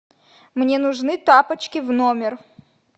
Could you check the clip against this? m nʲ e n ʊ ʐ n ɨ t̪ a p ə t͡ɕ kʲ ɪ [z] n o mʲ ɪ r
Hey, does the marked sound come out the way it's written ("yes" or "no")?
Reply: no